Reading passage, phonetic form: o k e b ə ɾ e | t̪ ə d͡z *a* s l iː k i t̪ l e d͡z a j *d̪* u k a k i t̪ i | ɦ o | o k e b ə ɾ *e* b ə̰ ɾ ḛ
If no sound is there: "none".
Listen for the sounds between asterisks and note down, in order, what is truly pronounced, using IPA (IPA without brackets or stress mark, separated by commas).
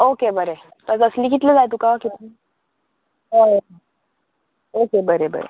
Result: ə, t̪, e